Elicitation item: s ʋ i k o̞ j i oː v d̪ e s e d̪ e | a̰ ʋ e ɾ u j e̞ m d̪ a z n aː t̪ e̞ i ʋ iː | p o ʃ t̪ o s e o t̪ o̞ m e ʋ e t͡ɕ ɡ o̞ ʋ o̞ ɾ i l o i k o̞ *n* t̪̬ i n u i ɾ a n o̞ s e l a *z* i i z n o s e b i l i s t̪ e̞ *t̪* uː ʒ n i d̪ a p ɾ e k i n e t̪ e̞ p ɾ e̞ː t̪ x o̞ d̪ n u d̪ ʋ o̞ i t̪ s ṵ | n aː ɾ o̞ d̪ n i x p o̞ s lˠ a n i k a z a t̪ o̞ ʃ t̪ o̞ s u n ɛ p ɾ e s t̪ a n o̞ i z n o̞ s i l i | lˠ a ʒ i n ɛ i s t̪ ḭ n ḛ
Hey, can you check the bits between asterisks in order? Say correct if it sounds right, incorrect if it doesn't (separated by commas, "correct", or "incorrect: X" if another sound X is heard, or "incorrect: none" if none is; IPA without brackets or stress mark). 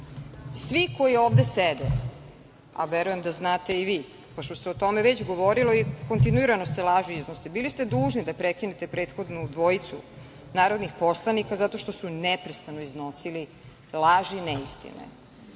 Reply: correct, incorrect: ʒ, incorrect: d̪